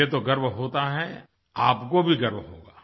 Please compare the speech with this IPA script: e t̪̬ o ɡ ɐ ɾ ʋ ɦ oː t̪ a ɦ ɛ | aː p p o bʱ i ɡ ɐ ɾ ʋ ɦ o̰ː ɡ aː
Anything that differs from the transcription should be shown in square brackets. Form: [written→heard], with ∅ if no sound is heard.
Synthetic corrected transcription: e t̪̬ o ɡ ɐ ɾ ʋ ɦ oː t̪ a ɦ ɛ | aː p [p→k] o bʱ i ɡ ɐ ɾ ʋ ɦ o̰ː ɡ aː